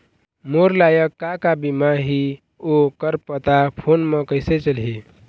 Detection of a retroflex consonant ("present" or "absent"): absent